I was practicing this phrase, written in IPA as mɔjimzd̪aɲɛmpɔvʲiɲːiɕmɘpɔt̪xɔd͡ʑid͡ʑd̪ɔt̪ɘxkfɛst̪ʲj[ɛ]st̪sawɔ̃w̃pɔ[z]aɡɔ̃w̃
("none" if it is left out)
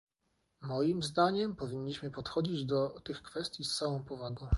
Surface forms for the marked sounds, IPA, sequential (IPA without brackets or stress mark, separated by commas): i, v